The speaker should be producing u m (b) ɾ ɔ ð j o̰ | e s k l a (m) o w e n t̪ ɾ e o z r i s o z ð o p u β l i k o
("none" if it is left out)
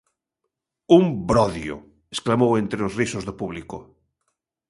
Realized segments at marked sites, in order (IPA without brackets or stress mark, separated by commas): b, m